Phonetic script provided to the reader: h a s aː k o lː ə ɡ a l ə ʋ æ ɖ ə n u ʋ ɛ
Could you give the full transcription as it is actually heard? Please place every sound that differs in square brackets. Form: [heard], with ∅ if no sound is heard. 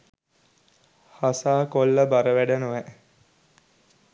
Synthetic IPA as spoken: h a s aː k o lː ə [b] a [ɾ] ə ʋ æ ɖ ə n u ʋ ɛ